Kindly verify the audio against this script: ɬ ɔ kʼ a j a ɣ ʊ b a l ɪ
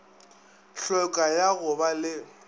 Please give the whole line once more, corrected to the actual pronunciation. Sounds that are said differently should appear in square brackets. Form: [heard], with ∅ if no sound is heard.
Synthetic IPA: ɬ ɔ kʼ a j a ɣ ʊ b a l ɪ